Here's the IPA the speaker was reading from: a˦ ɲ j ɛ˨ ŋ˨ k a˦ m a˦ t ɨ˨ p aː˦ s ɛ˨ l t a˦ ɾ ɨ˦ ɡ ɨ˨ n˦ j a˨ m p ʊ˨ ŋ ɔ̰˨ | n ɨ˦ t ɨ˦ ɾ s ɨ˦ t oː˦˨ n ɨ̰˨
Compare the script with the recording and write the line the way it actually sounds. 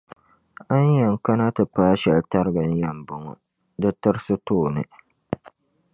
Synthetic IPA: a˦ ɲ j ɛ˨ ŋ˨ k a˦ n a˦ t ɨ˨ p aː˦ ʃ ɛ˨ l t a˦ ɾ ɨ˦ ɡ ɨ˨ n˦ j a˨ m b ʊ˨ ŋ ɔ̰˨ | d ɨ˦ t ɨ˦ ɾ s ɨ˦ t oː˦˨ n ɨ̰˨